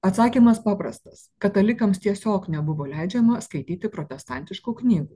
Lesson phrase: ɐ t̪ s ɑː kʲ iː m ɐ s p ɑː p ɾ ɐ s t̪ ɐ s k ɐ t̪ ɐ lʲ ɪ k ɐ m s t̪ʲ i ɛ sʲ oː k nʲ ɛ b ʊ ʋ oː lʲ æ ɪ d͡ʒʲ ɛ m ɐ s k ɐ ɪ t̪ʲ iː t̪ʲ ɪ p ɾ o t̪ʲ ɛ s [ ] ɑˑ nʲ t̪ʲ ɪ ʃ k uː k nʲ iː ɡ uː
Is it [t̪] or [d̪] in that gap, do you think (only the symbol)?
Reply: t̪